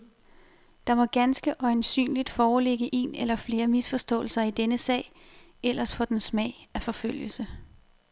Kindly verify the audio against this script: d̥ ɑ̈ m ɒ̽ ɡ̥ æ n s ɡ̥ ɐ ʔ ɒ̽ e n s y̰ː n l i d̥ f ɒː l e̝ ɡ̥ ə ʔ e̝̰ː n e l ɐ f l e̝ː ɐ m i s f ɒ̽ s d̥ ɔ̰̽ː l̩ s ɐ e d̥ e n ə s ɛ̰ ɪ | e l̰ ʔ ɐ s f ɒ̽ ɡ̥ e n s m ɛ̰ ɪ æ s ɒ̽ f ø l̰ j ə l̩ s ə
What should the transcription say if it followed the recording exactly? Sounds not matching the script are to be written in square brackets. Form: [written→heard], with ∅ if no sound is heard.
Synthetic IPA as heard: d̥ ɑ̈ m ɒ̽ ɡ̥ æ n s ɡ̥ [ɐ→ə] ʔ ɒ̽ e n s y̰ː n l i d̥ f ɒː l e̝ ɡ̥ ə ʔ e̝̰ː n e l ɐ f l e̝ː ɐ m i s f ɒ̽ s d̥ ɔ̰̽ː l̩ s ɐ [e→i] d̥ e n ə s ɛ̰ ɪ | e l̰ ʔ ɐ s f ɒ̽ [ɡ̥→d̥] e n s m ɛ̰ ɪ æ [s→f] ɒ̽ f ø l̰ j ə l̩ s ə